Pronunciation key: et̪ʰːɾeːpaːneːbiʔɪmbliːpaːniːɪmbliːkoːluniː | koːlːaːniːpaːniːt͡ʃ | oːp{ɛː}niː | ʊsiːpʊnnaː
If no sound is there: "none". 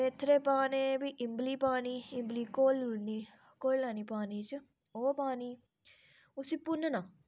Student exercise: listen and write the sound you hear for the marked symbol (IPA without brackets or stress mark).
aː